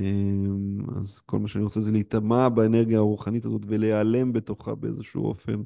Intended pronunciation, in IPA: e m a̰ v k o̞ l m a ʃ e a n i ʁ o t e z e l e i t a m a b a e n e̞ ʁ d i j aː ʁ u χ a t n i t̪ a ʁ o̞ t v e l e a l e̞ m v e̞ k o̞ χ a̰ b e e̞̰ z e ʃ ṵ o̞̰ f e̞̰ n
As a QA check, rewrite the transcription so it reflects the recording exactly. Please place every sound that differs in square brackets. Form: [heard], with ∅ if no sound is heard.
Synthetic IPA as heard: e m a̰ [z] k o̞ l m a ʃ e a n i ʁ o [t͡s] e z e l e i t a m a b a e n e̞ ʁ [ɡ] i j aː ʁ u χ a [∅] n i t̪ a [z] o̞ t v e l e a l e̞ m [b] e̞ [t] o̞ χ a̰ b e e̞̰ z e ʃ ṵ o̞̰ f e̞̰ n